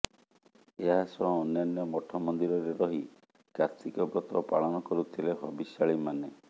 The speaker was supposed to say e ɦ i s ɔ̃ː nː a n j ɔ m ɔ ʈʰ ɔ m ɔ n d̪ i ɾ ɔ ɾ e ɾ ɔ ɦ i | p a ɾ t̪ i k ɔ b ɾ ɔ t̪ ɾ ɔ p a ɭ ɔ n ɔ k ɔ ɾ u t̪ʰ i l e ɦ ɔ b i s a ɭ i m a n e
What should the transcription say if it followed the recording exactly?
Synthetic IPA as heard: e ɦ a s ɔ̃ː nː a n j ɔ m ɔ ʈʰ ɔ m ɔ n d̪ i ɾ ɔ ɾ e ɾ ɔ ɦ i | k a ɾ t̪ i k ɔ b ɾ ɔ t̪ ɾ ɔ p a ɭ ɔ n ɔ k ɔ ɾ u t̪ʰ i l e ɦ ɔ b i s a ɭ i m a n e

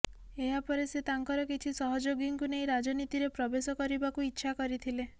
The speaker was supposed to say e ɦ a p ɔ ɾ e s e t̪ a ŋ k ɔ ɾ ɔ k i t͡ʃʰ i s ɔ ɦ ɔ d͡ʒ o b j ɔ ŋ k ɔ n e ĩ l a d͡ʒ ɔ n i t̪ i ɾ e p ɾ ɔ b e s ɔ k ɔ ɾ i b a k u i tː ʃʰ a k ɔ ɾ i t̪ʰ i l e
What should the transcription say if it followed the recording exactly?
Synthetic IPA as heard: e ɦ a p ɔ ɾ e s e t̪ a ŋ k ɔ ɾ ɔ k i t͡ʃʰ i s ɔ ɦ ɔ d͡ʒ o ɡ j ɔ ŋ k u n e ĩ ɾ a d͡ʒ ɔ n i t̪ i ɾ e p ɾ ɔ b e s ɔ k ɔ ɾ i b a k u i tː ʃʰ a k ɔ ɾ i t̪ʰ i l e

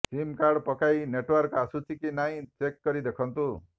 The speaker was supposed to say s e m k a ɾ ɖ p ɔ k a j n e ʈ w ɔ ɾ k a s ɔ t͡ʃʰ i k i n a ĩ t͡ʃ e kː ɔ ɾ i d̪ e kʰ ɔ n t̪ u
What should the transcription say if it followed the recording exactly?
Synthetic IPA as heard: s i m k a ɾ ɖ p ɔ k a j n e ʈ w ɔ ɾ k a s u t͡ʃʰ i k i n a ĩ t͡ʃ e kː ɔ ɾ i d̪ e kʰ ɔ n t̪ u

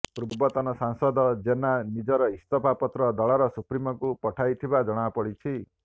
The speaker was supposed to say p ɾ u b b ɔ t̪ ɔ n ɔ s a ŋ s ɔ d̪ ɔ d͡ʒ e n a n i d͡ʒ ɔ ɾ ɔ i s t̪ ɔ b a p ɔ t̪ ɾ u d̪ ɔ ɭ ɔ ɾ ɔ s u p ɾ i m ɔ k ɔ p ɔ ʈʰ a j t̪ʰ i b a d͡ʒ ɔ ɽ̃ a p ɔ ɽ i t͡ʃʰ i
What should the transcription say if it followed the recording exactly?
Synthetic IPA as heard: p ɾ u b b ɔ t̪ ɔ n ɔ s a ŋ s ɔ d̪ ɔ d͡ʒ e n a n i d͡ʒ ɔ ɾ ɔ i s t̪ ɔ p a p ɔ t̪ ɾ ɔ d̪ ɔ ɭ ɔ ɾ ɔ s u p ɾ i m ɔ k u p ɔ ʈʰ a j t̪ʰ i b a d͡ʒ ɔ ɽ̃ a p ɔ ɽ i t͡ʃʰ i

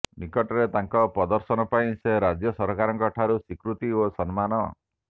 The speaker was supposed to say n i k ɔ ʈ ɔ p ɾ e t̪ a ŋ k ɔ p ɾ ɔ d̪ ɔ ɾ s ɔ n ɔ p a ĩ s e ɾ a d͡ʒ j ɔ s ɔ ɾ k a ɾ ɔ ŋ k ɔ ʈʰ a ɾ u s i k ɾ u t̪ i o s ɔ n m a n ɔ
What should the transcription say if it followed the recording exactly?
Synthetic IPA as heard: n i k ɔ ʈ ɔ ɾ e t̪ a ŋ k ɔ p ɾ ɔ d̪ ɔ ɾ s ɔ n ɔ p a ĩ s e ɾ a d͡ʒ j ɔ s ɔ ɾ k a ɾ ɔ ŋ k ɔ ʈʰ a ɾ u s i k ɾ u t̪ i o s ɔ n m a n ɔ

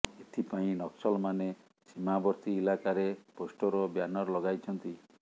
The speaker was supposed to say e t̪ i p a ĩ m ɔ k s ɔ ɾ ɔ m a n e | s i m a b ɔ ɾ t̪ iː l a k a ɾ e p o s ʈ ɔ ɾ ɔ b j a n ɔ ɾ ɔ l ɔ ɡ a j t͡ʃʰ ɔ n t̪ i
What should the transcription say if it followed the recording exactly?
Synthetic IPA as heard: e t̪ʰ i p a ĩ n ɔ k s ɔ l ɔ m a n e | s i m a b ɔ ɾ t̪ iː l a k a ɾ e p o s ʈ ɔ ɾ ɔ b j a n ɔ ɾ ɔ l ɔ ɡ a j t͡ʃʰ ɔ n t̪ i

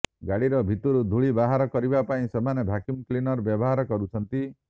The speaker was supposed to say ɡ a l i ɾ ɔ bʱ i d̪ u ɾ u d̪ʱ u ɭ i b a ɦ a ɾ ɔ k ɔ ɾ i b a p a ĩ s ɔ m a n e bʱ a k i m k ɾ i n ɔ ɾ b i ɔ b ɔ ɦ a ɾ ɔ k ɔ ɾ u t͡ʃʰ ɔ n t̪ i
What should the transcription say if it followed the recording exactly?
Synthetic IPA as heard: ɡ a ɽ i ɾ ɔ bʱ i t̪ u ɾ u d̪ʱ u ɭ i b a ɦ a ɾ ɔ k ɔ ɾ i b a p a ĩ s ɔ m a n e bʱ a k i m k l i n ɔ ɾ b j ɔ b ɔ ɦ a ɾ ɔ k ɔ ɾ u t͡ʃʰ ɔ n t̪ i

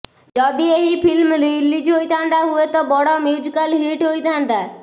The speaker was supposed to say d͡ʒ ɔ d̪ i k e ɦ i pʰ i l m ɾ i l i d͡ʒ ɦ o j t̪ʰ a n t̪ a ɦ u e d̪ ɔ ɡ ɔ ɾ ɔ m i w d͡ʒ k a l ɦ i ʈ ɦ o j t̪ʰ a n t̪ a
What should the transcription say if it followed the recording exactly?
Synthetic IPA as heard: d͡ʒ ɔ d̪ i e ɦ i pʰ i l m ɾ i l i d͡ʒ ɦ o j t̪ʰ a n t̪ a ɦ u e t̪ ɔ b ɔ ɽ ɔ m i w d͡ʒ k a l ɦ i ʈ ɦ o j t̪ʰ a n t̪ a

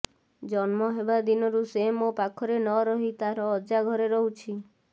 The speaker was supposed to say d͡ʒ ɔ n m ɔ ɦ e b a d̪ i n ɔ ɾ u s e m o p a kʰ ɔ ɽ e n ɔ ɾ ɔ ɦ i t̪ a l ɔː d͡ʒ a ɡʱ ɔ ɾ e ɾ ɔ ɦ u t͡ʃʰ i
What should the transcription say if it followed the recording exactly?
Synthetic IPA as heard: d͡ʒ ɔ n m ɔ ɦ e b a d̪ i n ɔ ɾ u s e m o p a kʰ ɔ ɾ e n ɔ ɾ ɔ ɦ i t̪ a ɾ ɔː d͡ʒ a ɡʱ ɔ ɾ e ɾ ɔ ɦ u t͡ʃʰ i

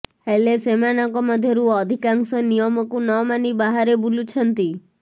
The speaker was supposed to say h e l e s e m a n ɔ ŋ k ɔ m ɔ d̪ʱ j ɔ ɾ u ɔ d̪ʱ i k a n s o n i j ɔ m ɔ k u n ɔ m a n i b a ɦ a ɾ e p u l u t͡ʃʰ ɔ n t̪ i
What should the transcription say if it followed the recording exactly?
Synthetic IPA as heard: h e l e s e m a n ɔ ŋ k ɔ m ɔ d̪ʱ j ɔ ɾ u ɔ d̪ʱ i k a ŋ s ɔ n i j ɔ m ɔ k u n ɔ m a n i b a ɦ a ɾ e b u l u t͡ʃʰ ɔ n t̪ i

